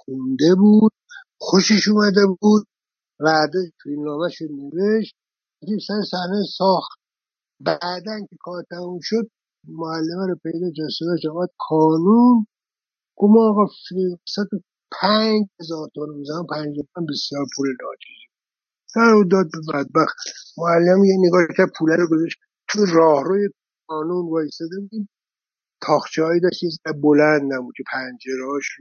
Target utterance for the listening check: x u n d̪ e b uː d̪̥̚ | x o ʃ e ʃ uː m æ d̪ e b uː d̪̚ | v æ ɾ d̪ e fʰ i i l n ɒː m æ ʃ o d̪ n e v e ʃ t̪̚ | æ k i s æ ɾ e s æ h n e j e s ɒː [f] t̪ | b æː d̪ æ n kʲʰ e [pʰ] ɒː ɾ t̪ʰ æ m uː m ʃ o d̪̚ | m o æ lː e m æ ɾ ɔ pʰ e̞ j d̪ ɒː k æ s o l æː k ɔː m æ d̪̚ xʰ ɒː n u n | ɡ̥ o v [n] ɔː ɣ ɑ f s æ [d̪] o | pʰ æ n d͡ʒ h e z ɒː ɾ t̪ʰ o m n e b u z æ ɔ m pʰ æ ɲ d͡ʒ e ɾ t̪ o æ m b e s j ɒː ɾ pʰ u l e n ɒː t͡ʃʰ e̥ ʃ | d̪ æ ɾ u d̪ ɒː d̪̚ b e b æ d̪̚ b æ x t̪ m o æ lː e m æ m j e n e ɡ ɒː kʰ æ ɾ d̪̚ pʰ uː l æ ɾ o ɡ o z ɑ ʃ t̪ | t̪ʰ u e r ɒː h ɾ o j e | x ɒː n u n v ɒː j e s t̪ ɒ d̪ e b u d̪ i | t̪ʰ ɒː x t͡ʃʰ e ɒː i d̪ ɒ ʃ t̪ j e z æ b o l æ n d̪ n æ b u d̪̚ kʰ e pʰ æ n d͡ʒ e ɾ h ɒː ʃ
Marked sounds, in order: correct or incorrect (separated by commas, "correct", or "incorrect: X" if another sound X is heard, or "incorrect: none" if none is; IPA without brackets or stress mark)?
incorrect: x, incorrect: kʰ, incorrect: m, incorrect: t̪